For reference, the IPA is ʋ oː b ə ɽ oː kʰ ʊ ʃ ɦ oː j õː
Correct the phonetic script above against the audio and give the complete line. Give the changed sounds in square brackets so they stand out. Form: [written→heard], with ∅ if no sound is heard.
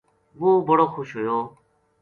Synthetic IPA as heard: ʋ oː b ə ɽ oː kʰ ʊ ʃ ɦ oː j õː